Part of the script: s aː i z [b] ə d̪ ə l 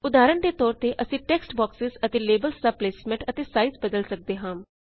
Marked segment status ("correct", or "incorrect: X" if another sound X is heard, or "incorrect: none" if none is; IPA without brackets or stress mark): correct